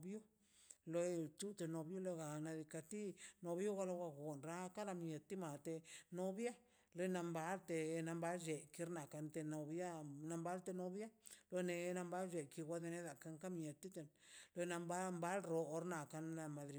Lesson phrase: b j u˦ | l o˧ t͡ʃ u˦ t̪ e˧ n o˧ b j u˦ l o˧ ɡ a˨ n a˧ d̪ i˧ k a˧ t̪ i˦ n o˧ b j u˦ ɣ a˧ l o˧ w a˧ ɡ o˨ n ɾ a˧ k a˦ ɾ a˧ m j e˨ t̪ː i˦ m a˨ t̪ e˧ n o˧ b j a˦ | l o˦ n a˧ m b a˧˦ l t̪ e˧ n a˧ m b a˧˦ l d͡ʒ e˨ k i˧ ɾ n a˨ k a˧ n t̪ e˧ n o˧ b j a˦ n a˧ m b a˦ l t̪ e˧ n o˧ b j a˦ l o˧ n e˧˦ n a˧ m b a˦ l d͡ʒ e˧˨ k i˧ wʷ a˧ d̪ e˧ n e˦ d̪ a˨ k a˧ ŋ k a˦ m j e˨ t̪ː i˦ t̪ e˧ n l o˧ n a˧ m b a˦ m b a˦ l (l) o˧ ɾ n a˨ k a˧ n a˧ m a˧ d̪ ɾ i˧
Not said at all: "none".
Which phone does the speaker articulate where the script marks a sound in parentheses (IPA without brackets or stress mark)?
ɾ